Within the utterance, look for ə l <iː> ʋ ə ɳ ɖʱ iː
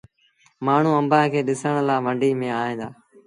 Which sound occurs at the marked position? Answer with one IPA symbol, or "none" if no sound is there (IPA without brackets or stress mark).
aː